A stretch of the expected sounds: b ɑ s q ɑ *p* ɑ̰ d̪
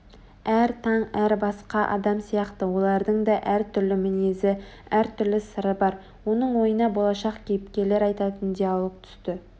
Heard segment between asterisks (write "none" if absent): ʔ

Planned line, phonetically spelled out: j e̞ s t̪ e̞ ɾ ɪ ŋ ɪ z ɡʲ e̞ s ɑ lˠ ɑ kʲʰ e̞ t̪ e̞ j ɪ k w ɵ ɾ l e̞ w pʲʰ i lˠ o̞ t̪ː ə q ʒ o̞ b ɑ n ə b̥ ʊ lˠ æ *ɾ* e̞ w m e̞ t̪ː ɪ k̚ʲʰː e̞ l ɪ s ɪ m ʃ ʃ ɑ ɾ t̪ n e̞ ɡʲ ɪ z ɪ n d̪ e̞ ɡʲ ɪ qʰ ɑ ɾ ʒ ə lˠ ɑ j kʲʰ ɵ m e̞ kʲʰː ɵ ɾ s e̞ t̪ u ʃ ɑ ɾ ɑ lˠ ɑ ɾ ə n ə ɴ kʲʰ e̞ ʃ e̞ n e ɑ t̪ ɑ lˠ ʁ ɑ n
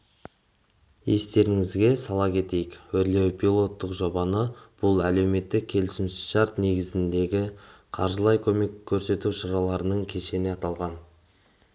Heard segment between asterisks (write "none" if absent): l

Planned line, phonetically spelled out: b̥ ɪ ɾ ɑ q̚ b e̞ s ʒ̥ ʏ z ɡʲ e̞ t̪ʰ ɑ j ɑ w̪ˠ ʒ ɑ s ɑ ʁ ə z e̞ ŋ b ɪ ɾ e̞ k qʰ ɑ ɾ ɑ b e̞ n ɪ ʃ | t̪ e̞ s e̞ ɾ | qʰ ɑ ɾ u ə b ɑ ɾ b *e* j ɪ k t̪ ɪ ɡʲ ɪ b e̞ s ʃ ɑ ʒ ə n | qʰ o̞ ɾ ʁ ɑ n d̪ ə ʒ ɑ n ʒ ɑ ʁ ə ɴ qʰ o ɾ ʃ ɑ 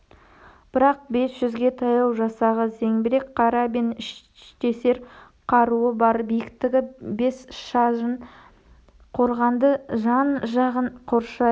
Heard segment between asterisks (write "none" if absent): i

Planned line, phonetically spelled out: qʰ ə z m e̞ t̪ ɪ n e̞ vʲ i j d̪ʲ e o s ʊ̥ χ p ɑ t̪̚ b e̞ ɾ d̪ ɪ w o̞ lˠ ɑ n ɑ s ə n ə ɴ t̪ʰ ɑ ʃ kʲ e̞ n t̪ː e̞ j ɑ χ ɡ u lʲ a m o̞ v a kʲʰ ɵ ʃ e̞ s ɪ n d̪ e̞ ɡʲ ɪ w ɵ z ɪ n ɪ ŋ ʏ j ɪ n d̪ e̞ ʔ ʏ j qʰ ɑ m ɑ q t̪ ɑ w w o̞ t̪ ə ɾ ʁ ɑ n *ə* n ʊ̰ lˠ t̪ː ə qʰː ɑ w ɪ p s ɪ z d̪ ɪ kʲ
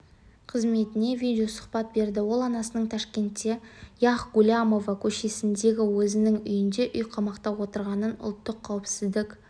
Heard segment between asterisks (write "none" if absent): ə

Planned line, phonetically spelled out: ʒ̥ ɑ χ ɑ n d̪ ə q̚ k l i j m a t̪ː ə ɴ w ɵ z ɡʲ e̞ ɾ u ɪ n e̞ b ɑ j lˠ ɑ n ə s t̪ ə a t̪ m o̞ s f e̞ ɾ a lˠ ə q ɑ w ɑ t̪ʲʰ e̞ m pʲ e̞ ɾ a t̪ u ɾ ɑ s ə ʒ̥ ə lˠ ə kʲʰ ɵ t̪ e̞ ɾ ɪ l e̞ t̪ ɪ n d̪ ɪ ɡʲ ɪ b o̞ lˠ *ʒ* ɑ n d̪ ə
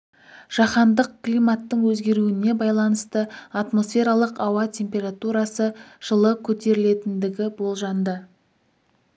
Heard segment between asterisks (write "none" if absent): ʒ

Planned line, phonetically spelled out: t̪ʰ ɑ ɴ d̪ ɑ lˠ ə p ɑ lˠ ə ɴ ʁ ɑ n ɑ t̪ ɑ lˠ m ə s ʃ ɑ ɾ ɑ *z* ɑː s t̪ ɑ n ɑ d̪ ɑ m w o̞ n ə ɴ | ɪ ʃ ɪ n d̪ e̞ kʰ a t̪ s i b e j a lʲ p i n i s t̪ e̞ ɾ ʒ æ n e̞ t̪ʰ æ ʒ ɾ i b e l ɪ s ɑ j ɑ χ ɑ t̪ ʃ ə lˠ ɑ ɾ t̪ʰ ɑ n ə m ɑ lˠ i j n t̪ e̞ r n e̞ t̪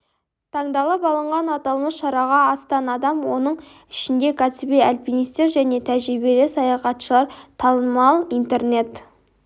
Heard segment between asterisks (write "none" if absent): ʁ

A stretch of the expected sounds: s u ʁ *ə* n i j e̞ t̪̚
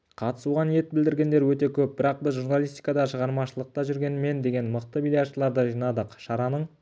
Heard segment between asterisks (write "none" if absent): ɑ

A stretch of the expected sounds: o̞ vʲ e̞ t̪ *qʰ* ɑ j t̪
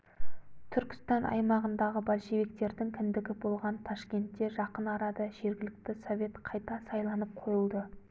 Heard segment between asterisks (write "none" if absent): qʰ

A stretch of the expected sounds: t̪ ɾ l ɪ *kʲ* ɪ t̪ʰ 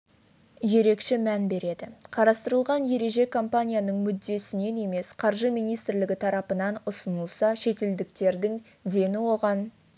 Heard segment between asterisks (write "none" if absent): ɡʲ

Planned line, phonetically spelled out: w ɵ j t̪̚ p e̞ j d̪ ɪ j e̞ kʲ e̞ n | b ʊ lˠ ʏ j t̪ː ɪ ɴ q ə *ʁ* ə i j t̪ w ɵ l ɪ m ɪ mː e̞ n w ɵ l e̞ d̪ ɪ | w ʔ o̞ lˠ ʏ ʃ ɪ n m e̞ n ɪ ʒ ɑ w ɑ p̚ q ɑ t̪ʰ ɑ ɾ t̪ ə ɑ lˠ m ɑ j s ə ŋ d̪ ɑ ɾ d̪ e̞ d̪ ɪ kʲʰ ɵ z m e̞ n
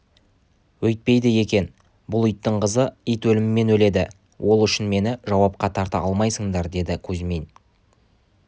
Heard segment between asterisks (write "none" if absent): z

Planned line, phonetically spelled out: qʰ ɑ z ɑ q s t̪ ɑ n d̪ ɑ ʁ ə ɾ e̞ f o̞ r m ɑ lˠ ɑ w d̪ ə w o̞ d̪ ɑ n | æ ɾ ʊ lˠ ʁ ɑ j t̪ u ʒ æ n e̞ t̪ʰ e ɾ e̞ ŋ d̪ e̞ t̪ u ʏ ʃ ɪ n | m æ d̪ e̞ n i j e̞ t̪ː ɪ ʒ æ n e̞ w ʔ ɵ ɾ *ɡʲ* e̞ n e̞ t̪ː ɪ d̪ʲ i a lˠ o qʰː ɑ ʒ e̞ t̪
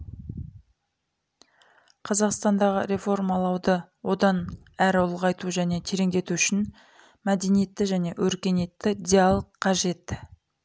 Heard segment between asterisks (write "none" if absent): kʲ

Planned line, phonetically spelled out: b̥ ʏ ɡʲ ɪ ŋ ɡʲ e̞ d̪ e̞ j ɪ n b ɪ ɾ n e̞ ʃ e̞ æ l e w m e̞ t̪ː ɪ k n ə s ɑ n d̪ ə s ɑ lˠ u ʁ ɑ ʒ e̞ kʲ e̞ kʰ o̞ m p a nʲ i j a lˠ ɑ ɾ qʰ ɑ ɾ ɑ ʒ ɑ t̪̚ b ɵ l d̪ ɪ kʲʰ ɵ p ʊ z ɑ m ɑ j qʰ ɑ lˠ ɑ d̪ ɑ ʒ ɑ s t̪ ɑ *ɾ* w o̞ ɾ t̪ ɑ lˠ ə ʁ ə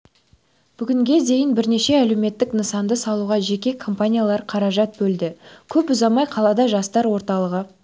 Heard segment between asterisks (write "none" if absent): ɾ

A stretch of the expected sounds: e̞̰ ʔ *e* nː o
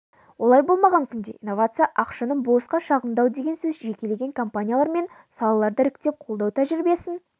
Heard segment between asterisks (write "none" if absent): i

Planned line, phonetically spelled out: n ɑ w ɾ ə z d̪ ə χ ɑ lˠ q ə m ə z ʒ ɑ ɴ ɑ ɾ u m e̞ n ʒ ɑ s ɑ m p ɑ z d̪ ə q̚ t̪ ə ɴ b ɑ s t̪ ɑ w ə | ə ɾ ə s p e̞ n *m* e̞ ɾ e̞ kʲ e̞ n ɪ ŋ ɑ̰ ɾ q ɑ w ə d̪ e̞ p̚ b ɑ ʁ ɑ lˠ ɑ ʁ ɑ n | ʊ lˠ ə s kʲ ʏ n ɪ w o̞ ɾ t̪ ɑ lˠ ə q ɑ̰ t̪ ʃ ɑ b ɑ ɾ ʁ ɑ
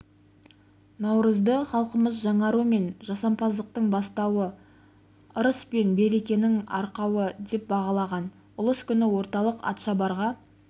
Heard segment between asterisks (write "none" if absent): b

